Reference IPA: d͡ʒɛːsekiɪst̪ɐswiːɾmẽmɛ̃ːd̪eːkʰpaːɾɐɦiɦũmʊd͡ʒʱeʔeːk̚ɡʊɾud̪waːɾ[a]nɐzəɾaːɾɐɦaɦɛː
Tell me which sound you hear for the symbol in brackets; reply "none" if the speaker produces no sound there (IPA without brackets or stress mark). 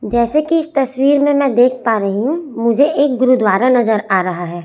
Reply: a